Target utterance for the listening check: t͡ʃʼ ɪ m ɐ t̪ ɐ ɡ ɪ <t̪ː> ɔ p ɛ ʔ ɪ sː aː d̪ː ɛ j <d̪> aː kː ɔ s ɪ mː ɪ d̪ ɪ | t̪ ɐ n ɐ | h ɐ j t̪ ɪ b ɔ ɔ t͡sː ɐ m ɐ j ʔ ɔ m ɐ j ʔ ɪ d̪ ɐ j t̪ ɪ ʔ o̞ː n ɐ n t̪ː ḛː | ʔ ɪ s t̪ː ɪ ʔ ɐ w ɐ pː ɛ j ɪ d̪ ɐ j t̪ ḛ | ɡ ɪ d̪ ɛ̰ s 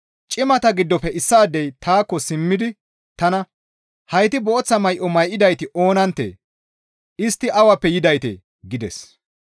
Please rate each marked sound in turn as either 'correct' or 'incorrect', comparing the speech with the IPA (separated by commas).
incorrect, incorrect